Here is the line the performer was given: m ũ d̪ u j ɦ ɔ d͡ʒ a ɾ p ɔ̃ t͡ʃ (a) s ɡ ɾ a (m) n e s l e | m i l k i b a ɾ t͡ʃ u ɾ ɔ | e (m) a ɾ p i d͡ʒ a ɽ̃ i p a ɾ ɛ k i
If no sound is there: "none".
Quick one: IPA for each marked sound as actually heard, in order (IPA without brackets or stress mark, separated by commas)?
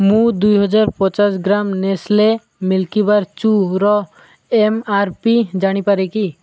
a, m, m